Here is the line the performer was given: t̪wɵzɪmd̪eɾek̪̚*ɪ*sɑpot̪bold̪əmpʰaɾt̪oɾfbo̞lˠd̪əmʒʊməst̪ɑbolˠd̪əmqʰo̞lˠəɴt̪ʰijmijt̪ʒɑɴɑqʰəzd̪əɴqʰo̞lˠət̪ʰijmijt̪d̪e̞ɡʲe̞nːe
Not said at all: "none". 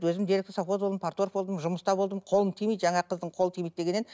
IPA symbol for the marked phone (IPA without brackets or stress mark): ɪ